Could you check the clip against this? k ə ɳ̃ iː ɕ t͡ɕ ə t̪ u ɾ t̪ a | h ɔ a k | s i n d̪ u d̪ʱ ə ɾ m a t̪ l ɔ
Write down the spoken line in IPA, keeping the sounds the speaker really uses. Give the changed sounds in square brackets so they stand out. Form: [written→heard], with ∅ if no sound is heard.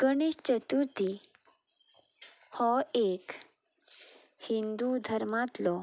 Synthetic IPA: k ə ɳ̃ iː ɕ t͡ɕ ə t̪ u ɾ t̪ [a→i] | h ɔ [a→e] k | [s→h] i n d̪ u d̪ʱ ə ɾ m a t̪ l ɔ